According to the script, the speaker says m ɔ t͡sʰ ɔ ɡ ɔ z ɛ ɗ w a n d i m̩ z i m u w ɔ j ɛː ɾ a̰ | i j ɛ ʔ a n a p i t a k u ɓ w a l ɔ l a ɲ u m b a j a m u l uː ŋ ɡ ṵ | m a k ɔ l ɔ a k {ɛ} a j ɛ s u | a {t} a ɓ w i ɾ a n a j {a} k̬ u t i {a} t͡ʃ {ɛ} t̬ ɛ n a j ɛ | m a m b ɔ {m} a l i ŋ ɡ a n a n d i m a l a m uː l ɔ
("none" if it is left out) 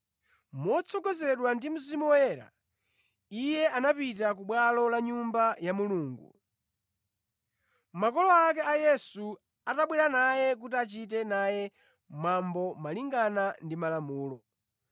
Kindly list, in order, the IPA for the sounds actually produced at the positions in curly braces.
ɛ, t, ɛ, a, i, m

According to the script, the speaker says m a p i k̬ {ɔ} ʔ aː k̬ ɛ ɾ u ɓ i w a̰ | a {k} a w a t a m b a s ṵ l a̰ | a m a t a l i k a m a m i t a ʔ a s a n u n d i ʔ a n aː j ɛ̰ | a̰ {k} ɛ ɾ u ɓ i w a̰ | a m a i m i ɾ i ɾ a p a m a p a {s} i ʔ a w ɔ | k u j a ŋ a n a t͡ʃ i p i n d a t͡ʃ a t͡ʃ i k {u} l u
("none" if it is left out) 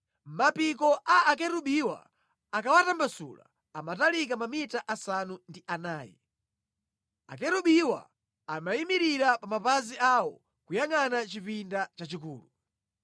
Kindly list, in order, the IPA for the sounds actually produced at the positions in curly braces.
ɔ, k, k, z, uː

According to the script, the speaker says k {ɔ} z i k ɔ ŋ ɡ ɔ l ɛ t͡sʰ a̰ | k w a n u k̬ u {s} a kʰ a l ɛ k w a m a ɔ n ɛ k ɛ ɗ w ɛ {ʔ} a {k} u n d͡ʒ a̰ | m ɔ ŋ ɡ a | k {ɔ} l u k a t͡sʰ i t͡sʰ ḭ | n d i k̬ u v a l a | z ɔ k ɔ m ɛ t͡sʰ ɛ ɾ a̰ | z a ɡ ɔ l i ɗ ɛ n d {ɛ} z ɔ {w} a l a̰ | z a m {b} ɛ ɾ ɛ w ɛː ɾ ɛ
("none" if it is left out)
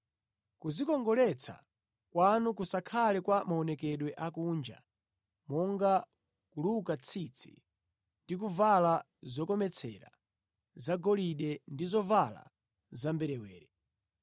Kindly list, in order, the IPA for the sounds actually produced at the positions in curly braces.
u, s, ʔ, k, u, i, v, b

